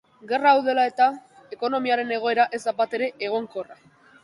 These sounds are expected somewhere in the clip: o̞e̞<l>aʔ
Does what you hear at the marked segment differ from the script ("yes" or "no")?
yes